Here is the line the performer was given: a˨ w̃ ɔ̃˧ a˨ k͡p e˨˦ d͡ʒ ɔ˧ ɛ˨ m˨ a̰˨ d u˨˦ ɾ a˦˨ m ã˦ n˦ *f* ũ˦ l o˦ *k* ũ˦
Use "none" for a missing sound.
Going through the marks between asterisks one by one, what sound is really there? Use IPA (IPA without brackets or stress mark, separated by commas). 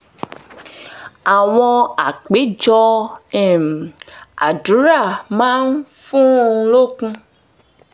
f, k